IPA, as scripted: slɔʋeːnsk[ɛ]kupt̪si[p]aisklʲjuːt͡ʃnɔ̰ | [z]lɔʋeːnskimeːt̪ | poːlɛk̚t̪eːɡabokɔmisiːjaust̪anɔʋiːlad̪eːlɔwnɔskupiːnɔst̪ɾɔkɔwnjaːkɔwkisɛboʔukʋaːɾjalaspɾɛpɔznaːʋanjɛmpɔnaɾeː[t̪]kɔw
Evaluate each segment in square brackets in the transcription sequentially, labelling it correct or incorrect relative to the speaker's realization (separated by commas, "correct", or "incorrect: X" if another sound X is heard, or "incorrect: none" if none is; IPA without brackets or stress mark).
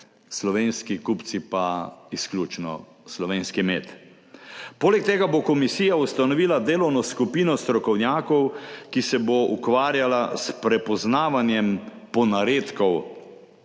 incorrect: i, correct, incorrect: s, correct